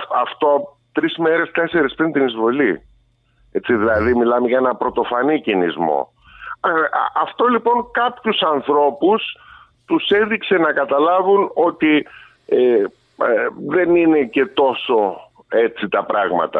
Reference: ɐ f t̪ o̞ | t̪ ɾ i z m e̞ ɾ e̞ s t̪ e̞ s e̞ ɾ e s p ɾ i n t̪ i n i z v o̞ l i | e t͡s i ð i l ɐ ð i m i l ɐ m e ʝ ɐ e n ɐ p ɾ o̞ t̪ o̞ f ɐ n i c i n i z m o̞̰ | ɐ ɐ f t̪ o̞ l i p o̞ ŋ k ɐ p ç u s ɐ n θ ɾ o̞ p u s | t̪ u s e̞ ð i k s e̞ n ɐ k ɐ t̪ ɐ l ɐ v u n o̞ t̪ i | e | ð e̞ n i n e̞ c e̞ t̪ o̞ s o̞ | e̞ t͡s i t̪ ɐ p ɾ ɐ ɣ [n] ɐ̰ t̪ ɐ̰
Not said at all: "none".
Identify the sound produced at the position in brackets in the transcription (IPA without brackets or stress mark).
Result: m